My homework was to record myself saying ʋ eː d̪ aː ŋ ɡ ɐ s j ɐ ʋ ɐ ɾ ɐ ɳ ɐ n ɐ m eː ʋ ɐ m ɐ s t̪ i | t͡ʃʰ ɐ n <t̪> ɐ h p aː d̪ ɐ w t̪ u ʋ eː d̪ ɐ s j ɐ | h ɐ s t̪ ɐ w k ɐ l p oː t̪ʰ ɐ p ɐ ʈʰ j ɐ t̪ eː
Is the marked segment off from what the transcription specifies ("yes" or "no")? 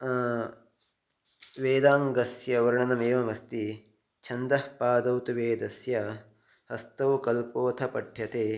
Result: yes